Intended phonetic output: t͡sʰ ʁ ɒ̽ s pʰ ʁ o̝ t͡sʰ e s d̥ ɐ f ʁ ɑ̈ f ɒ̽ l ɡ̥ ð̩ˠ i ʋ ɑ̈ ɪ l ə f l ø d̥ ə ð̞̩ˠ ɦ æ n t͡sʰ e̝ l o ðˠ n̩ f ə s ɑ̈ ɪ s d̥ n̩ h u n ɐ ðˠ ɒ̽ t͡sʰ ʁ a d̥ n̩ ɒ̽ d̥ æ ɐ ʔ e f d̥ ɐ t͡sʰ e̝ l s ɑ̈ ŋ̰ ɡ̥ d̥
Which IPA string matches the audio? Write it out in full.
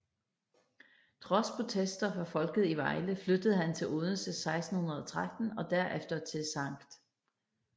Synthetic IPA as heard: t͡sʰ ʁ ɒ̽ s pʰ ʁ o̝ t͡sʰ e s d̥ ɐ f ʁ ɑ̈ f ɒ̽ l ɡ̥ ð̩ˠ i ʋ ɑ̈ ɪ l ə f l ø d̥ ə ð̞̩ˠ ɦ æ n t͡sʰ e̝ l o ðˠ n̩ s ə s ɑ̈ ɪ s d̥ n̩ h u n ɐ ðˠ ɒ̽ t͡sʰ ʁ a d̥ n̩ ɒ̽ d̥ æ ɐ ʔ e f d̥ ɐ t͡sʰ e̝ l s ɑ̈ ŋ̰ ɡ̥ d̥